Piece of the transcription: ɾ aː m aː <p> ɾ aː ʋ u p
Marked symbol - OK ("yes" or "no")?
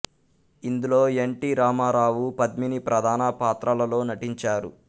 no